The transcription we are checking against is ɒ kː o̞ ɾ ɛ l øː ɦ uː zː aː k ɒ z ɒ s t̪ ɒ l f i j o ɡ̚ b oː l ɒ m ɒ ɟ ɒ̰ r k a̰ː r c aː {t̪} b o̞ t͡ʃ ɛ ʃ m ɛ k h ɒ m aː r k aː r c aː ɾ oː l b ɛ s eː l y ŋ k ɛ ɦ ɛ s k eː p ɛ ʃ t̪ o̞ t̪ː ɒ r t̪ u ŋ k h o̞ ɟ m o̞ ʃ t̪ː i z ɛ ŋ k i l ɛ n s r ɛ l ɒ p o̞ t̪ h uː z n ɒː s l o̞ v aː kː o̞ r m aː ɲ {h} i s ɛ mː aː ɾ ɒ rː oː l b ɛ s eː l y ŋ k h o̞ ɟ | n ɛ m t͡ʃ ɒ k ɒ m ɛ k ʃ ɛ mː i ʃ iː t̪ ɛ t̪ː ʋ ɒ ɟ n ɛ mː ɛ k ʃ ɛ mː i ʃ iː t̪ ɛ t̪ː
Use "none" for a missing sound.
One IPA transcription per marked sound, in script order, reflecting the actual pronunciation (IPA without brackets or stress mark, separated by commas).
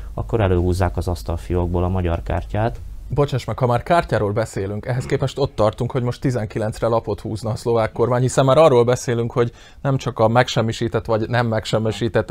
t̪, h